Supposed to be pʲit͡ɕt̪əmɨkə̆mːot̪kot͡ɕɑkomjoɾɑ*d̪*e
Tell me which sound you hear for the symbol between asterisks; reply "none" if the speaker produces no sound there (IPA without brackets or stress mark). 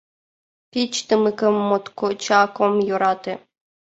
t̪